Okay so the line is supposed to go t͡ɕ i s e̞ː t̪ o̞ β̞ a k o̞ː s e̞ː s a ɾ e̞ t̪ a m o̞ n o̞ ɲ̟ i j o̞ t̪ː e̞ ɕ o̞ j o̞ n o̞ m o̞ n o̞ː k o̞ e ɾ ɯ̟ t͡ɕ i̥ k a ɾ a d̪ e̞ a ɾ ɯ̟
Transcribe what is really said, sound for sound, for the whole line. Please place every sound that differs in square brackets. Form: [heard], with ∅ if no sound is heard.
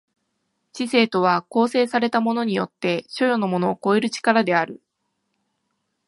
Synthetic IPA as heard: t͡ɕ i s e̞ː t̪ o̞ β̞ a k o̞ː s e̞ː s a ɾ e̞ t̪ a m o̞ n o̞ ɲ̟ i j o̞ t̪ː e̞ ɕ o̞ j o̞ n o̞ m o̞ n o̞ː k o̞ e ɾ ɯ̟ t͡ɕ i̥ k a ɾ a d̪ e̞ a ɾ ɯ̟

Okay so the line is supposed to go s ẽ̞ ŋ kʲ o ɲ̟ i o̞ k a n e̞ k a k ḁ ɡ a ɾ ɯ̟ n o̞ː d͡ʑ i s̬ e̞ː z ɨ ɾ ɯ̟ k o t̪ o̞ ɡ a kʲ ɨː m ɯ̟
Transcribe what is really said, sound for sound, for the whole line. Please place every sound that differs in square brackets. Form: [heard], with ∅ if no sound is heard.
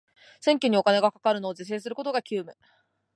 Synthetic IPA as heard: s ẽ̞ ŋ kʲ o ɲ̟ i o̞ k a n e̞ [ɡ] a k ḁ [k] a ɾ ɯ̟ n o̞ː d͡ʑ i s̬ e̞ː [s] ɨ ɾ ɯ̟ k o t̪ o̞ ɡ a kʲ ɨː m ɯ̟

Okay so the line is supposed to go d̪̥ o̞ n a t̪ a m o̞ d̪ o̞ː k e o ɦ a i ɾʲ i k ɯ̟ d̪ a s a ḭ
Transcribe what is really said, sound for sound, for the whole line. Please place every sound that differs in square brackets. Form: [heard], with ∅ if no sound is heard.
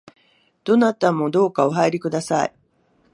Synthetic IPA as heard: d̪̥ o̞ n a t̪ a m o̞ d̪ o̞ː k [a] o ɦ a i ɾʲ i k ɯ̟ d̪ a s a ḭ

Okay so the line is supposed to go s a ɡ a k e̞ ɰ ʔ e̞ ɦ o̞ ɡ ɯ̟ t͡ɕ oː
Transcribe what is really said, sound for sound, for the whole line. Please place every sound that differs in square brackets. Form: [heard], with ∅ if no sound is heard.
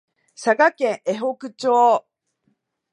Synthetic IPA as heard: s a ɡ a k [ẽ̞] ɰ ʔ e̞ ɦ o̞ [k] ɯ̟ t͡ɕ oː

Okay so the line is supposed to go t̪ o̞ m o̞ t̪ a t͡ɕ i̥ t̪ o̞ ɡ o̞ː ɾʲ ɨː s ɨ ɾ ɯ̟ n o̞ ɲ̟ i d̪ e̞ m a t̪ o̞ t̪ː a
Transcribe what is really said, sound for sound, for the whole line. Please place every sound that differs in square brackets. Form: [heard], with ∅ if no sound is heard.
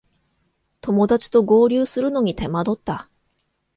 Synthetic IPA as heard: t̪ o̞ m o̞ [d̪] a t͡ɕ i̥ t̪ o̞ ɡ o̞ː ɾʲ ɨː s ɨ ɾ ɯ̟ n o̞ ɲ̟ i [t̪] e̞ m a [d̪] o̞ t̪ː a

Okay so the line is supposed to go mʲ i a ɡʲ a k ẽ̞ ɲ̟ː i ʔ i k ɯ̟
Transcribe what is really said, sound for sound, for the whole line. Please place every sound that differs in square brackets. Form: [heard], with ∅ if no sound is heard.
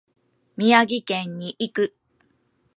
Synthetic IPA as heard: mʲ i a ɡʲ [i] k ẽ̞ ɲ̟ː i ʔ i k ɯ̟

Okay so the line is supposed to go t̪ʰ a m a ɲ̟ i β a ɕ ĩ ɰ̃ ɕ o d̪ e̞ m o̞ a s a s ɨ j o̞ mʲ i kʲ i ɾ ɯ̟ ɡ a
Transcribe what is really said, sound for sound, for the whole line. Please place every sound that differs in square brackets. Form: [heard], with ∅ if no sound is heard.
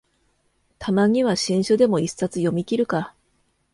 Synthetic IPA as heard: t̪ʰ a m a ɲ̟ i β a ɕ ĩ ɰ̃ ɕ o d̪ e̞ m o̞ [i] s a [t͡s] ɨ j o̞ mʲ i kʲ i ɾ ɯ̟ [k] a

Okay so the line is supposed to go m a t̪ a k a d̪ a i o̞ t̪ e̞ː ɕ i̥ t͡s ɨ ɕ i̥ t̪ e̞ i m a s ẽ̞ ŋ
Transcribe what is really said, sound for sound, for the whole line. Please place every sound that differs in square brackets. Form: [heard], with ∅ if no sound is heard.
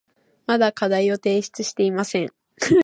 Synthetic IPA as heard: m a [d̪] a k a d̪ a i o̞ t̪ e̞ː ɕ i̥ t͡s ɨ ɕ i̥ t̪ e̞ i m a s ẽ̞ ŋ

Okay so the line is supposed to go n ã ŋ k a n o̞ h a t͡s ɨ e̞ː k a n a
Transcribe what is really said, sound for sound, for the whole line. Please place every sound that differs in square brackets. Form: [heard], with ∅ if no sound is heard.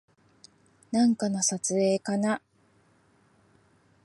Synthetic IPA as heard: n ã ŋ k a n o̞ [s] a t͡s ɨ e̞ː k a n a

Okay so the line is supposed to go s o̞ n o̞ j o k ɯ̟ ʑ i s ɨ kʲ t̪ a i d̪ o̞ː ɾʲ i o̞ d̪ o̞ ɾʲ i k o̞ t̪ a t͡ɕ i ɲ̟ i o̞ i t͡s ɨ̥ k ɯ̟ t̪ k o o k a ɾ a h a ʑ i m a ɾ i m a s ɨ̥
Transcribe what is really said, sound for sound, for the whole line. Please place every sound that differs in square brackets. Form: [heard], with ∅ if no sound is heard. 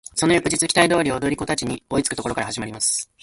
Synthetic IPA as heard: s o̞ n o̞ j o k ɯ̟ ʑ i [t͡s] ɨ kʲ t̪ a i d̪ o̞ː ɾʲ i o̞ d̪ o̞ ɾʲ i k o̞ t̪ a t͡ɕ i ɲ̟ i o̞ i t͡s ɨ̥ k ɯ̟ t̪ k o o k a ɾ a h a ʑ i m a ɾ i m a s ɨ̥

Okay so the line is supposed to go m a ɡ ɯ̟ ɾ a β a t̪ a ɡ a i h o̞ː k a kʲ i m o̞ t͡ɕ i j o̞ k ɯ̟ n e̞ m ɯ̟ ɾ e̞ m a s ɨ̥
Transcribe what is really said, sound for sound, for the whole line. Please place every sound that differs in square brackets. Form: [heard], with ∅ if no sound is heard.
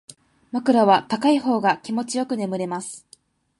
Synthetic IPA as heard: m a [k] ɯ̟ ɾ a β a t̪ a [k] a i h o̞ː [ɡ] a kʲ i m o̞ t͡ɕ i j o̞ k ɯ̟ n e̞ m ɯ̟ ɾ e̞ m a s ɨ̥

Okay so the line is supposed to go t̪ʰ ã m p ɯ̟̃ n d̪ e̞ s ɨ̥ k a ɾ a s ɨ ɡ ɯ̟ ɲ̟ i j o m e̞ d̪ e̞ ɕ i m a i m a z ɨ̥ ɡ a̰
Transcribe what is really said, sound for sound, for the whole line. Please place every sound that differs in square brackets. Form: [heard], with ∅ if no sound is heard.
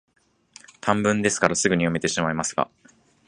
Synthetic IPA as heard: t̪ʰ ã m [b] ɯ̟̃ n d̪ e̞ s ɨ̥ k a ɾ a s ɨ ɡ ɯ̟ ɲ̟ i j o m e̞ [t̪] e̞ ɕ i m a i m a [s] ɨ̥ ɡ a̰

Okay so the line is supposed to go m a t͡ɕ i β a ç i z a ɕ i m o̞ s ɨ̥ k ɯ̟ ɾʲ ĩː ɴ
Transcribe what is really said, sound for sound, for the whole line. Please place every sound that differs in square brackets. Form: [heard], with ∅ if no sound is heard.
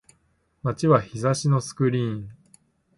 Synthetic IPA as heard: m a t͡ɕ i β a ç i z a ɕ i [n] o̞ s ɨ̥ k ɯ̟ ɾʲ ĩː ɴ

